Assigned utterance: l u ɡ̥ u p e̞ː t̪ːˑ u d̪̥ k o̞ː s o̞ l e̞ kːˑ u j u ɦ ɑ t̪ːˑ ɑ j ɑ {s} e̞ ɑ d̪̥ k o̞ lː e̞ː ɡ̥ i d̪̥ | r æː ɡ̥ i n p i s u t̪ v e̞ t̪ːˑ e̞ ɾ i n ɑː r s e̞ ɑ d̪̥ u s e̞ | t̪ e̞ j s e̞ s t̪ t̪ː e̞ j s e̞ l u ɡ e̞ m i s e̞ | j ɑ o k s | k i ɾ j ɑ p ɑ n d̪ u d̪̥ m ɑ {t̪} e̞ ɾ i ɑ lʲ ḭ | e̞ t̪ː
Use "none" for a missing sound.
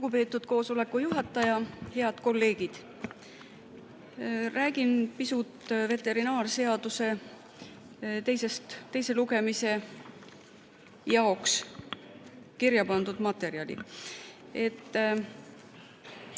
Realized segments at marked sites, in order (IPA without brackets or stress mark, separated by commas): h, t̪